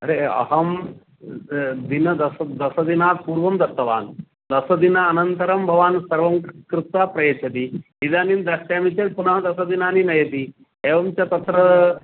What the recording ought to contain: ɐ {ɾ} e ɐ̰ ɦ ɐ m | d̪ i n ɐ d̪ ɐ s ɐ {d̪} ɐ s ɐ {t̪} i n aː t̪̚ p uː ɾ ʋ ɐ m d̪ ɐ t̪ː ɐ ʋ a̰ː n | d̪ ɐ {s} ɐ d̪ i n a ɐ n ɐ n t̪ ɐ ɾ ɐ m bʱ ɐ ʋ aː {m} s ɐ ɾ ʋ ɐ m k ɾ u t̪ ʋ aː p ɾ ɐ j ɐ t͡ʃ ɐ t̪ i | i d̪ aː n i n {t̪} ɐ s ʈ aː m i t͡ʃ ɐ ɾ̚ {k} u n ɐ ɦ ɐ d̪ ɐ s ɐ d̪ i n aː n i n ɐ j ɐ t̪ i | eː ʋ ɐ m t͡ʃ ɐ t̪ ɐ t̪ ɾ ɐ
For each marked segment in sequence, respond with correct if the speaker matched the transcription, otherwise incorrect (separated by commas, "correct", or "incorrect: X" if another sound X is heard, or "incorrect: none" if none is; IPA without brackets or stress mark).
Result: correct, correct, incorrect: d̪, correct, incorrect: n, incorrect: d̪, incorrect: p